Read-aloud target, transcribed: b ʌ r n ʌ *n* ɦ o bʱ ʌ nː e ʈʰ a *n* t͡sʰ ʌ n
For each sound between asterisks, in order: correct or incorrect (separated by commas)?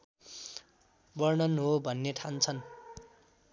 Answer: correct, correct